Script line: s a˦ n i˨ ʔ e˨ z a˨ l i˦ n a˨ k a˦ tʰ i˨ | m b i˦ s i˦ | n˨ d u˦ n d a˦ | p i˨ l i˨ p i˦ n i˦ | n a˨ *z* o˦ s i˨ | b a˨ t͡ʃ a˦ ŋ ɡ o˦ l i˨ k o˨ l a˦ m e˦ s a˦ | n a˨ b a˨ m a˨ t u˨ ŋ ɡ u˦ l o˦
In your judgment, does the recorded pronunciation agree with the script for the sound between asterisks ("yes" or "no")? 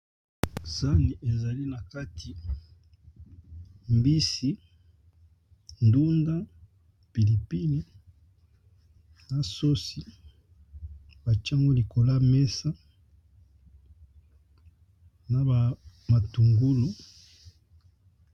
no